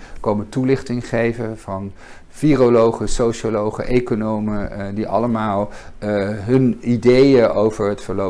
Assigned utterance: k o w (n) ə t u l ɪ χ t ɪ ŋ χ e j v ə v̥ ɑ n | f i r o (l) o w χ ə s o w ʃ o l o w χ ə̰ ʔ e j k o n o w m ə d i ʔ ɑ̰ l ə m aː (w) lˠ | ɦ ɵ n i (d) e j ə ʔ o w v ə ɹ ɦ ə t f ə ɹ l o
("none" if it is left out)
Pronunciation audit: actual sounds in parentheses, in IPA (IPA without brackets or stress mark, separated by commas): m, l, none, d